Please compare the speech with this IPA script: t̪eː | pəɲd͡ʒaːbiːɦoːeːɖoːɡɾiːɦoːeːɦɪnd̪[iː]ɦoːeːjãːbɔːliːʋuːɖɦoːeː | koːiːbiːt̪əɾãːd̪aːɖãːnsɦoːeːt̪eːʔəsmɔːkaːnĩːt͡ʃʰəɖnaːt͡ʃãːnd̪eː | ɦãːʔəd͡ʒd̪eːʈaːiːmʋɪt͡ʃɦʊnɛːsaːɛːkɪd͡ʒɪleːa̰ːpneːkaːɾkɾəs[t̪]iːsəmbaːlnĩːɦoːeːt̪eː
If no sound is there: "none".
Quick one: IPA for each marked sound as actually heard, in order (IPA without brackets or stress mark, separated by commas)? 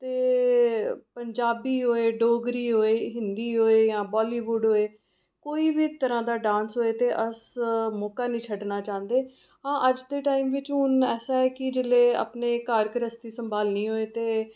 iː, t̪